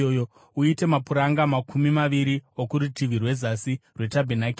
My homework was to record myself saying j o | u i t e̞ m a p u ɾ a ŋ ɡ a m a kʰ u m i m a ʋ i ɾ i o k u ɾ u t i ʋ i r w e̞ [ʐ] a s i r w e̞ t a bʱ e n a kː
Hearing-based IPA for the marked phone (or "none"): z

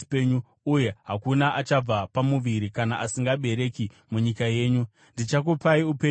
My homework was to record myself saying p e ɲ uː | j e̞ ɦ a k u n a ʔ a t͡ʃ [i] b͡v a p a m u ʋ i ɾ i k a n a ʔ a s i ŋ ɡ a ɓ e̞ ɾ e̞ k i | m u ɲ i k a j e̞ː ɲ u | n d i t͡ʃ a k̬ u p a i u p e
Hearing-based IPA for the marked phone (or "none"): a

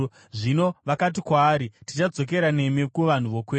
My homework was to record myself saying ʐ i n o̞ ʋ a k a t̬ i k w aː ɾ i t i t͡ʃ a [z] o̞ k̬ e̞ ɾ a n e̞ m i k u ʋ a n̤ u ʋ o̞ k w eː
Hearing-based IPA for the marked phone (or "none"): d͡z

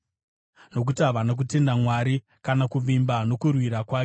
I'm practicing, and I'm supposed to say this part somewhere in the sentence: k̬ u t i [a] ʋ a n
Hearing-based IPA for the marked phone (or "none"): a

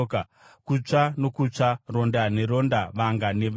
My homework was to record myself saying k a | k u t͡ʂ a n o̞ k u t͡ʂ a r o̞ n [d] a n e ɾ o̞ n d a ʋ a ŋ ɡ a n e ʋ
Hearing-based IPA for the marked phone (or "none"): d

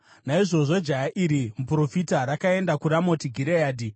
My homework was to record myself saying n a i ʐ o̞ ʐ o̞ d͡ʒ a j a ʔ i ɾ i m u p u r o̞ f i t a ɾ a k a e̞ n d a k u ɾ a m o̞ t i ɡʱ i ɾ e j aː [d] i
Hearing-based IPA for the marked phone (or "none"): d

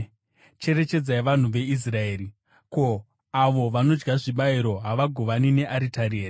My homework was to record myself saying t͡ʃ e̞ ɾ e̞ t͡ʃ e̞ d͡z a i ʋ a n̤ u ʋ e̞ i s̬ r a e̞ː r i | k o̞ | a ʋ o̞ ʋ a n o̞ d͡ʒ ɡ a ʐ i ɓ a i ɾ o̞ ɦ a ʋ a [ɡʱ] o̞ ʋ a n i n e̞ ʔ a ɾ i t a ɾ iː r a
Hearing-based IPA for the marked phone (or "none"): ɡʱ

